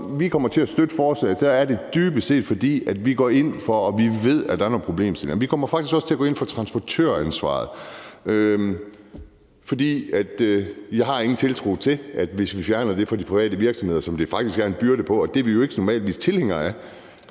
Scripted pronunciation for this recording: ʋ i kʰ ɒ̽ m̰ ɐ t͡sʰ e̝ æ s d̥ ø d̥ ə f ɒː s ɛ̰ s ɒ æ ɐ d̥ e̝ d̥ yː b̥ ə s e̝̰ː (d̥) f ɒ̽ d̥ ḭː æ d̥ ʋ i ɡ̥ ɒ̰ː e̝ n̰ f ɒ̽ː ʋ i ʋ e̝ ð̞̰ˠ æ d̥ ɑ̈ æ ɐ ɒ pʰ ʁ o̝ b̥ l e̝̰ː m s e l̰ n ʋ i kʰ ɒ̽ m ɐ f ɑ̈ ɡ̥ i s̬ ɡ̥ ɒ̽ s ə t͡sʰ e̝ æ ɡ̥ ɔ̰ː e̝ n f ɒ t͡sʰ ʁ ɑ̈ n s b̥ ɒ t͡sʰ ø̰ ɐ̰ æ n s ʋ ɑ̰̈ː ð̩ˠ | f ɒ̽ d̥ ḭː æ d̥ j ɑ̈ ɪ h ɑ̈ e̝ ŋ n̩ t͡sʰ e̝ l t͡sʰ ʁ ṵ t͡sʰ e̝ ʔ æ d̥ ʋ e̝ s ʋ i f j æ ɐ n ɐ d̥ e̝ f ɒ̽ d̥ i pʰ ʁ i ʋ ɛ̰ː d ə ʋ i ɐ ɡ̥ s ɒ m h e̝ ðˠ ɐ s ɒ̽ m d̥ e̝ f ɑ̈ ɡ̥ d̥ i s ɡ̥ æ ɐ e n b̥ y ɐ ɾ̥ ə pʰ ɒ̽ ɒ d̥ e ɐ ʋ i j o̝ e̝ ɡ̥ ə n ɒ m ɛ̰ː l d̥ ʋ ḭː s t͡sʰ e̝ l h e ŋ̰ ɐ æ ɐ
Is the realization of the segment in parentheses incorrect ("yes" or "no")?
no